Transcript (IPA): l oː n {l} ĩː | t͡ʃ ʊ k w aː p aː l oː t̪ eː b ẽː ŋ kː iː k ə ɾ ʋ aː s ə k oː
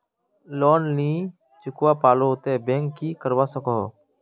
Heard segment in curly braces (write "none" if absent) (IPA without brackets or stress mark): l